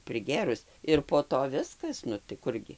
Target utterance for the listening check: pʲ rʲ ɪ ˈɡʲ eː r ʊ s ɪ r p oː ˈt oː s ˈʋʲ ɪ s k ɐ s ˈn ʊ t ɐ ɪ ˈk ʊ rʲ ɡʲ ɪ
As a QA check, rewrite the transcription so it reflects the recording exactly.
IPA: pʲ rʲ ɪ ˈɡʲ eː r ʊ s ɪ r p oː ˈt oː ˈʋʲ ɪ s k ɐ s ˈn ʊ t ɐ ɪ ˈk ʊ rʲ ɡʲ ɪ